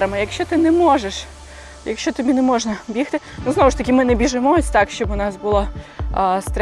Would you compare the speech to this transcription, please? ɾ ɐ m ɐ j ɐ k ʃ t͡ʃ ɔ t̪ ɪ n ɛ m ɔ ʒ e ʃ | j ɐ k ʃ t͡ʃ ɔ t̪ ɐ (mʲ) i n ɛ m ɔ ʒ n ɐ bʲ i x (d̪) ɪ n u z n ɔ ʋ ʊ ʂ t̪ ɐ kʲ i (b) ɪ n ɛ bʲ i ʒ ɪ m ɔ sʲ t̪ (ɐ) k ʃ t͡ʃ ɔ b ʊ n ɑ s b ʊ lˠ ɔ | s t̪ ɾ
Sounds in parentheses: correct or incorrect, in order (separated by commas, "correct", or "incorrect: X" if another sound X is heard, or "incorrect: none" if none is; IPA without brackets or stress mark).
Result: incorrect: bʲ, incorrect: t̪, incorrect: m, incorrect: ɑ